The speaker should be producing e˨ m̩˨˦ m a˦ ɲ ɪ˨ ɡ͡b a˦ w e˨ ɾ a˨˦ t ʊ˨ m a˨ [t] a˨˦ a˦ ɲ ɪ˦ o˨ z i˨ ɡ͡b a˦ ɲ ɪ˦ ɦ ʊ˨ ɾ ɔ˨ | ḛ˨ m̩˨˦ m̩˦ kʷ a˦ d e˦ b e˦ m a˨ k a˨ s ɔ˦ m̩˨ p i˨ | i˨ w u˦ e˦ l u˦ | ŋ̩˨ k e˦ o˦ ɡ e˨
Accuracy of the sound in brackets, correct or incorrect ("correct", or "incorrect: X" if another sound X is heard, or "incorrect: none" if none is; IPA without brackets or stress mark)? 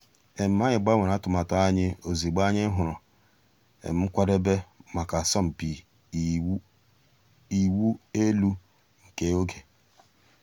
correct